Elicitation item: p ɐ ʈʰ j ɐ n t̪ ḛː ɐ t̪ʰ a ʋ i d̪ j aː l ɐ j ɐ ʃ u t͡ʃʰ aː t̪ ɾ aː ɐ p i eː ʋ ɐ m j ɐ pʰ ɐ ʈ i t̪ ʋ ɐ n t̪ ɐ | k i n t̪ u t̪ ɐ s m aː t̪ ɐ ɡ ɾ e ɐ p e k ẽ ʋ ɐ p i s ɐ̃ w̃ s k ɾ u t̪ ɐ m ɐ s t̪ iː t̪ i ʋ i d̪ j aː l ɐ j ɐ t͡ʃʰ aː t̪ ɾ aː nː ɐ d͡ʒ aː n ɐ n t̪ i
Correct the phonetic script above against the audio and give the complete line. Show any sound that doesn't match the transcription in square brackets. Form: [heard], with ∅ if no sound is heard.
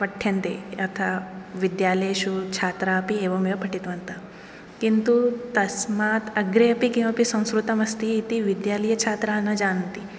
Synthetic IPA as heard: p ɐ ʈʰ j ɐ n t̪ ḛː ɐ t̪ʰ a ʋ i d̪ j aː l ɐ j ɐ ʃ u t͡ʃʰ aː t̪ ɾ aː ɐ p i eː ʋ ɐ m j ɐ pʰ ɐ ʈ i t̪ ʋ ɐ n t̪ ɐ | k i n t̪ u t̪ ɐ s m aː t̪ ɐ ɡ ɾ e ɐ p [i] k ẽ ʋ ɐ p i s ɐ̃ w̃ s k ɾ u t̪ ɐ m ɐ s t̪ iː t̪ i ʋ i d̪ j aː l ɐ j ɐ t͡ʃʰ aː t̪ ɾ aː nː ɐ d͡ʒ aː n ɐ n t̪ i